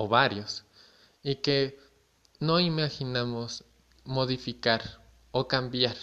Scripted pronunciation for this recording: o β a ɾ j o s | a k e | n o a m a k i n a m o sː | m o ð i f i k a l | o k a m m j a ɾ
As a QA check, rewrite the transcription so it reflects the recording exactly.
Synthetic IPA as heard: o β a ɾ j o s | i k e | n o i m a x i n a m o s | m o ð i f i k a ɾ | o k a m b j a ɾ